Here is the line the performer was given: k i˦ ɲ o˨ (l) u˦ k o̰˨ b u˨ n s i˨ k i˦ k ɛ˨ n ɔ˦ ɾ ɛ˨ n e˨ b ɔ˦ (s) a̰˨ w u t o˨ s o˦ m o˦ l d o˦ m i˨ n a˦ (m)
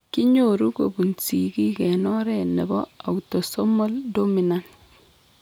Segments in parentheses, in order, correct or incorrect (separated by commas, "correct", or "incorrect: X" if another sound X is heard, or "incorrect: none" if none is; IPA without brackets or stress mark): incorrect: ɾ, incorrect: none, incorrect: n